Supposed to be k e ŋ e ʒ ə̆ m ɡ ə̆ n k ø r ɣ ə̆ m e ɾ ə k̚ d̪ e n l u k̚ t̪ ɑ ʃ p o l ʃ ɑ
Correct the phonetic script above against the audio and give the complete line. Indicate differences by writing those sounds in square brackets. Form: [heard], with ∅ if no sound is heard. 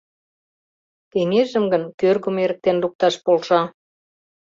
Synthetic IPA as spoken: k e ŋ e ʒ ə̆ m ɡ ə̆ n k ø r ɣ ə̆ m e ɾ ə k̚ [t̪] e n l u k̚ t̪ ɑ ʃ p o l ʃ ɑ